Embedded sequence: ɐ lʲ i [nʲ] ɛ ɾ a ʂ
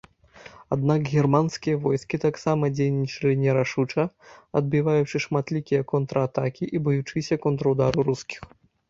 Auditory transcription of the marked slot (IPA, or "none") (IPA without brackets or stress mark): nʲ